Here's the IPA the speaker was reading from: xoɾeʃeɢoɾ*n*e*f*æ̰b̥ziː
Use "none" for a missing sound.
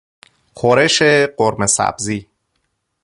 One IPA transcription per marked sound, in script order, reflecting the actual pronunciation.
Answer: m, s

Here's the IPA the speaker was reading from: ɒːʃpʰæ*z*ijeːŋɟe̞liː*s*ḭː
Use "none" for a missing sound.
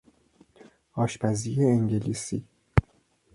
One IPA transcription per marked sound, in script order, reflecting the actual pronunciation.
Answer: z, s

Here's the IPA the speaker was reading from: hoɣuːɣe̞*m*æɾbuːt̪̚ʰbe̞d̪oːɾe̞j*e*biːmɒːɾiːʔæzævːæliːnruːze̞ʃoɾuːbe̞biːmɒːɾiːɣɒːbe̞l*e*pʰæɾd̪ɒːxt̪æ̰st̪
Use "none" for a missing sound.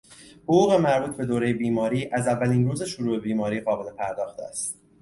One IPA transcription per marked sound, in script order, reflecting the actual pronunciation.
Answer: m, e, e

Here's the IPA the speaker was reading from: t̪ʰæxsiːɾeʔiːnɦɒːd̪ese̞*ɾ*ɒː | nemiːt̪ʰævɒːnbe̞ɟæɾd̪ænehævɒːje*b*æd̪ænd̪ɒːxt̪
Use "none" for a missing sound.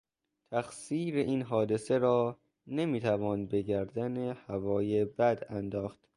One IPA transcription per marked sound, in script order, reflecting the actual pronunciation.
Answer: ɾ, b

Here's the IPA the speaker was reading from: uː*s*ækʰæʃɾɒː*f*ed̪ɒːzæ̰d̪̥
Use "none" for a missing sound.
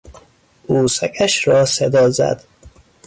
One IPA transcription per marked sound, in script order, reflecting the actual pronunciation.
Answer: s, s

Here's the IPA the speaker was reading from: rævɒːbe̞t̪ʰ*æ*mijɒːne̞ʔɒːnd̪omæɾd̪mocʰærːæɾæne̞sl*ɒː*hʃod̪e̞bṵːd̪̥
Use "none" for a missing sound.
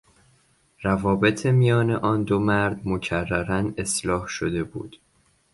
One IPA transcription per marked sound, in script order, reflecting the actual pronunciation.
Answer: e, ɒː

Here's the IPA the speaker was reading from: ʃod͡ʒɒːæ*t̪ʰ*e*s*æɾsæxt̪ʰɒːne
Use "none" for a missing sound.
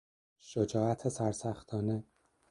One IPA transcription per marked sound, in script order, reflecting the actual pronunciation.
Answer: t̪ʰ, s

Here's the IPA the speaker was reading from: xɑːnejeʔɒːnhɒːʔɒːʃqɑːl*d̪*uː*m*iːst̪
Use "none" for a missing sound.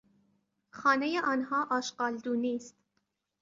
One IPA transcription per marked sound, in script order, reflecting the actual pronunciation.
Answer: d̪, n

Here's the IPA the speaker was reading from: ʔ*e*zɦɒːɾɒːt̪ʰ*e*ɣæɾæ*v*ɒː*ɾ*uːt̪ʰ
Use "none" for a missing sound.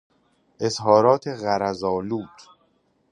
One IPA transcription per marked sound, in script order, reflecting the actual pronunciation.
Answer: e, e, z, l

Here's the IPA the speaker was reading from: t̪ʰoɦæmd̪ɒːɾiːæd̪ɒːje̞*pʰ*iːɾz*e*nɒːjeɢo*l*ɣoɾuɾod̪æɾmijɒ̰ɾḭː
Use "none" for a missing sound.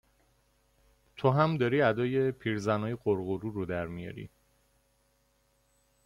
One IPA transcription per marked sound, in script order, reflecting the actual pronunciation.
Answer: pʰ, æ, ɾ

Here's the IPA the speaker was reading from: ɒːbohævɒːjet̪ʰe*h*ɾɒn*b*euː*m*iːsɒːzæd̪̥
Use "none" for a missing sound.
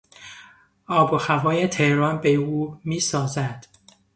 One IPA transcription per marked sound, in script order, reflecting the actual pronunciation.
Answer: h, b, m

